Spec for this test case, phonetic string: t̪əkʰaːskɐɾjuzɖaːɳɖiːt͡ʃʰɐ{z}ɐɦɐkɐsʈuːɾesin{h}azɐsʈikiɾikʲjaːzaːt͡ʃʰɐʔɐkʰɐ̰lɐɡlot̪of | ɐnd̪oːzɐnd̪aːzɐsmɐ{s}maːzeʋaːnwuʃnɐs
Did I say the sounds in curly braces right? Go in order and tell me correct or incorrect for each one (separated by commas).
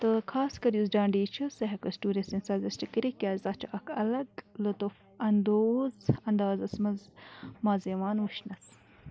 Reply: incorrect, incorrect, incorrect